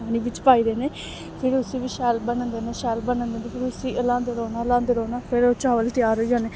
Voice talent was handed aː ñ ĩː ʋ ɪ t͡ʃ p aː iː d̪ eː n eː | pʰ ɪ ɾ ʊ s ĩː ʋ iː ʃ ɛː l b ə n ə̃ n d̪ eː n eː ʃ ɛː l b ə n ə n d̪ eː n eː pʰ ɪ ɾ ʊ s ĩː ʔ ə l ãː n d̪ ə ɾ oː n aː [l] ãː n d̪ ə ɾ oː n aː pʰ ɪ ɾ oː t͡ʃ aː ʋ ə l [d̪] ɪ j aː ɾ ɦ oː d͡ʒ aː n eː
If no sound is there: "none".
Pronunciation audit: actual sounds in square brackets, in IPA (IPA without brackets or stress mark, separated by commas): l, t̪